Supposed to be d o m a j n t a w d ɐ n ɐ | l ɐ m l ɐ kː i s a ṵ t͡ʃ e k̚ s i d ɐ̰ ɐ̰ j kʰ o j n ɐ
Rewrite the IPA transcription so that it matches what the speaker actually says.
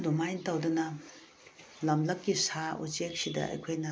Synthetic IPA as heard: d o m a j n t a w d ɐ n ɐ | l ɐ m l ɐ kː i s a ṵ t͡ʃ e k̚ s i d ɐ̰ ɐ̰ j kʰ o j n ɐ